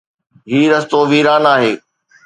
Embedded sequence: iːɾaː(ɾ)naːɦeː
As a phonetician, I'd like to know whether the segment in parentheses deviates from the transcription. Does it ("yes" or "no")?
yes